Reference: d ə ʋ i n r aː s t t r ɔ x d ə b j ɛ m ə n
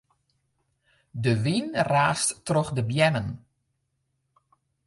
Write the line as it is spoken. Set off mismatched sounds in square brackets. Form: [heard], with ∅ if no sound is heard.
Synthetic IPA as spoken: d ə ʋ i n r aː s t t r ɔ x d ə b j ɛ [n] ə n